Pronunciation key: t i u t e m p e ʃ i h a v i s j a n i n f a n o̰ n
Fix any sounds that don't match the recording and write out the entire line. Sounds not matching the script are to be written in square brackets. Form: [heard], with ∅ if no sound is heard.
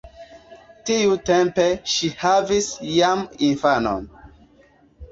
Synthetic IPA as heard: t i u t e m p e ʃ i h a v i s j a [m] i n f a n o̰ n